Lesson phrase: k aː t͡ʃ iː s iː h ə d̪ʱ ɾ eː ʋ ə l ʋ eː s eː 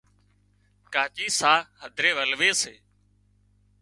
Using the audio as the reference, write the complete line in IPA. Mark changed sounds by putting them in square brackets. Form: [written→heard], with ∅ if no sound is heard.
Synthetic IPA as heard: k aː t͡ʃ iː s [iː→aː] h ə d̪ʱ ɾ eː ʋ ə l ʋ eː s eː